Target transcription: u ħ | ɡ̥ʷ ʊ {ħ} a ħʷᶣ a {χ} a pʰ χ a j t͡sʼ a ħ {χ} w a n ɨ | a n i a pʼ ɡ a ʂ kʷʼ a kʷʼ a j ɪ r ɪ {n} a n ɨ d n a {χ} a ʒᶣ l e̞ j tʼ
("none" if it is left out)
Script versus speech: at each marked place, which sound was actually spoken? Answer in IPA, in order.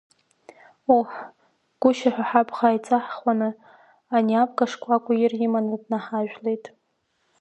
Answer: ʃ, ħ, χ, m, ħ

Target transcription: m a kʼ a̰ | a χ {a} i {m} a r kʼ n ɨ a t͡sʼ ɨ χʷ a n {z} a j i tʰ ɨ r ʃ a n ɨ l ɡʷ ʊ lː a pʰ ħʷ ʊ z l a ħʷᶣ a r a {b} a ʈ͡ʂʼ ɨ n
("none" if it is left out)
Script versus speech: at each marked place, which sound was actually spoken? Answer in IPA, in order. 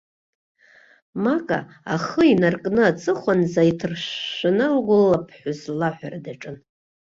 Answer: ə, n, z, d

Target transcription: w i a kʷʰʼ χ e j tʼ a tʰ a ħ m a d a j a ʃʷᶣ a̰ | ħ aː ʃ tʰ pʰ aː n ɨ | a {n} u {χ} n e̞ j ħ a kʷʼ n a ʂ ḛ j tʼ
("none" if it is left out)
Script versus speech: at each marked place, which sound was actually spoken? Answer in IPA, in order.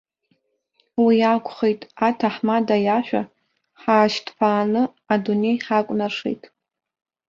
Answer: d, none

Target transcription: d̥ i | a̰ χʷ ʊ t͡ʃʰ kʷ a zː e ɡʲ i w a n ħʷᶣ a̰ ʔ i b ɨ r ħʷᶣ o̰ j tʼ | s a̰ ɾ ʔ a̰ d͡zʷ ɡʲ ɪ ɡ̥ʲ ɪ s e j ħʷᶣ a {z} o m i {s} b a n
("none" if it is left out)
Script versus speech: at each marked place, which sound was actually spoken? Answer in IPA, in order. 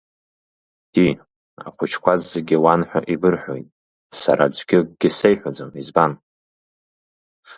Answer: d͡z, z

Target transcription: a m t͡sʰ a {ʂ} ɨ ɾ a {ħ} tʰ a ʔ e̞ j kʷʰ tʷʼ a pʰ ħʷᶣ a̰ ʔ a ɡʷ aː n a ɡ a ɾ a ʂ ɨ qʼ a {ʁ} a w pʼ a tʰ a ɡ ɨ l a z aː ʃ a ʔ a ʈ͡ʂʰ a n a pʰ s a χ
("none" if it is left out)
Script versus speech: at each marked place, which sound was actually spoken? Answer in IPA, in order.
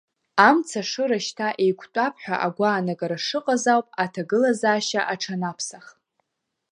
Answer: ʂ, ʃ, z

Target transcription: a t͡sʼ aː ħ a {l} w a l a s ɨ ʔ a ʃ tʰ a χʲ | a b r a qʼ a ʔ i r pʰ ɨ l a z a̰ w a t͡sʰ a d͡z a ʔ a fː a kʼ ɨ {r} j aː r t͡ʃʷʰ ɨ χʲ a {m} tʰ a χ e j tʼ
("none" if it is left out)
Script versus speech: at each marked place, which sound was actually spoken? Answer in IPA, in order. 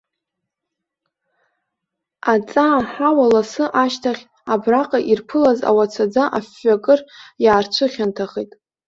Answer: none, r, n

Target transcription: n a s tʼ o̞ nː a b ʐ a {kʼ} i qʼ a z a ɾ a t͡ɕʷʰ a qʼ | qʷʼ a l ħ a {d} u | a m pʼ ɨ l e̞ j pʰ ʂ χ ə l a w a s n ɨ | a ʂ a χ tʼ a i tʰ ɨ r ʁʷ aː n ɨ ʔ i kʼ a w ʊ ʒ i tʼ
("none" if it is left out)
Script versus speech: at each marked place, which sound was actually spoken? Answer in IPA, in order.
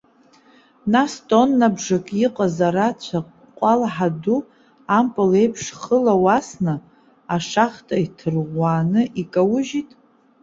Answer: kʼ, d

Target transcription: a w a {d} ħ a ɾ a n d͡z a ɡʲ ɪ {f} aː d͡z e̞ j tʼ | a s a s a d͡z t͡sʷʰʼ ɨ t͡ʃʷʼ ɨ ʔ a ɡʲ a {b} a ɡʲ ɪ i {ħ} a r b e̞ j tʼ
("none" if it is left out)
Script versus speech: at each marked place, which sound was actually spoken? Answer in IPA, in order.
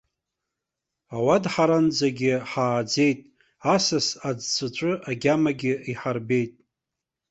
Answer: d, ħ, m, ħ

